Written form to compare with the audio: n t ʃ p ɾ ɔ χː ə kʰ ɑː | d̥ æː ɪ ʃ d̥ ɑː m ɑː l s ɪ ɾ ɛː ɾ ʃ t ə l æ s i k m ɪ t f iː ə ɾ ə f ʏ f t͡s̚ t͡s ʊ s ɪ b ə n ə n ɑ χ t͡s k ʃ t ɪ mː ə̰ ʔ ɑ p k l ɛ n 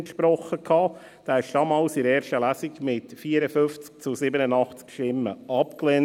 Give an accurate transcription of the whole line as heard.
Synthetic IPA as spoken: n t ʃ p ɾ ɔ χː ə kʰ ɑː | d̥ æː ɪ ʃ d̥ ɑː m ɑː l s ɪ ɾ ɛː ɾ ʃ t ə l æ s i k m ɪ t f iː ə ɾ ə f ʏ f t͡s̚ t͡s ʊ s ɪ b ə n ə n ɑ χ t͡s k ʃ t ɪ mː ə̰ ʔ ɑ p k l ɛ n